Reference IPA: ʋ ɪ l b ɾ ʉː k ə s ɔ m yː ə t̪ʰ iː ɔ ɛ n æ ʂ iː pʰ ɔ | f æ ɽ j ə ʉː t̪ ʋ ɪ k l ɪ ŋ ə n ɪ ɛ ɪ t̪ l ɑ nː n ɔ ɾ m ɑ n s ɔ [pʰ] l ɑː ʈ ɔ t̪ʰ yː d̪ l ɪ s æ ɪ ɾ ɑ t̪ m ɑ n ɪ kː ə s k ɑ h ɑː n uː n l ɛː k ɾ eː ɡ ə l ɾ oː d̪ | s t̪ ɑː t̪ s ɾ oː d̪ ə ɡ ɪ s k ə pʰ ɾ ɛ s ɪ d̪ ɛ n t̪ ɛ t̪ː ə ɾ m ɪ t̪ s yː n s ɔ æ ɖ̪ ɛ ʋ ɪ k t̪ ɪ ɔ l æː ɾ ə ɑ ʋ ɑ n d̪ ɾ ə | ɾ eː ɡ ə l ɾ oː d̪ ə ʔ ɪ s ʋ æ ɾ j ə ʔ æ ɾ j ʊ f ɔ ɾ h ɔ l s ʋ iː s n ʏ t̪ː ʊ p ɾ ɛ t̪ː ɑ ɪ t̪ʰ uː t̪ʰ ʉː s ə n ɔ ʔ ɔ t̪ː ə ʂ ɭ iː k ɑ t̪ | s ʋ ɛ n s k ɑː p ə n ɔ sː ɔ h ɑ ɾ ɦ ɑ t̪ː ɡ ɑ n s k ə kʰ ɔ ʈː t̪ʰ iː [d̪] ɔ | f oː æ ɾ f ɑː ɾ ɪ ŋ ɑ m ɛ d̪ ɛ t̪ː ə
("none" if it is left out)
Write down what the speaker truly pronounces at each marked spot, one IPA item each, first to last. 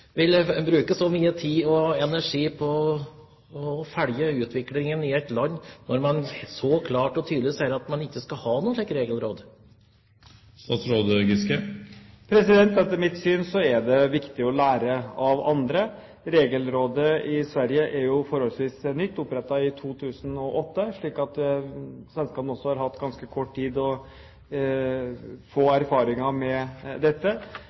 kʰ, d̪

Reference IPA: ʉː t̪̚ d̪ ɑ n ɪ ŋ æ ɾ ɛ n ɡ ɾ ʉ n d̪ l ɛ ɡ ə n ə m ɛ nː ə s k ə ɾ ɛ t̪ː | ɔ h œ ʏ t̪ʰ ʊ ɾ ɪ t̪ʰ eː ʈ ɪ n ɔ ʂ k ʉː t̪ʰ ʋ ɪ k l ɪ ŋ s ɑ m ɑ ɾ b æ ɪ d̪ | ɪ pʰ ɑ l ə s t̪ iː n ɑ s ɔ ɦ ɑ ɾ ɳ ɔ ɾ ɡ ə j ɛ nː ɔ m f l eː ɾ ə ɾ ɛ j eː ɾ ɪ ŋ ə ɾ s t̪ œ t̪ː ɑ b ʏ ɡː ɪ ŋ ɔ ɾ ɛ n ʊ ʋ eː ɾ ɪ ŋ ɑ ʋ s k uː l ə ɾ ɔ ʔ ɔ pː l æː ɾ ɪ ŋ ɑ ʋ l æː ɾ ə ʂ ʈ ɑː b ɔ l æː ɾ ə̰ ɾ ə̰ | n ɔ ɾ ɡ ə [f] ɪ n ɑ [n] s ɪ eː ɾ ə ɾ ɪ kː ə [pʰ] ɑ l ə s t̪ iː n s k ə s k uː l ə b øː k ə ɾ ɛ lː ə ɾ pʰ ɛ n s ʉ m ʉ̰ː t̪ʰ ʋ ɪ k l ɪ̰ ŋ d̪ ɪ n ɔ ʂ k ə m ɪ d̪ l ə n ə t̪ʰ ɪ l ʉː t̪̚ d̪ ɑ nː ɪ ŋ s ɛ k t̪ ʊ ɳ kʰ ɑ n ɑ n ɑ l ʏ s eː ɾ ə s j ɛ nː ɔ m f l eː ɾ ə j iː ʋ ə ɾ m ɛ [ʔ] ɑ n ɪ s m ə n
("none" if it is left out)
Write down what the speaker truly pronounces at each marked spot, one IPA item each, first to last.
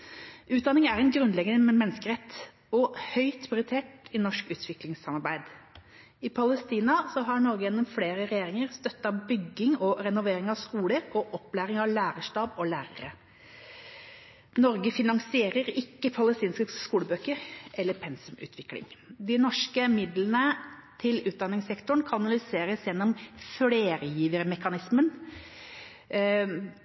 f, ŋ, pʰ, k

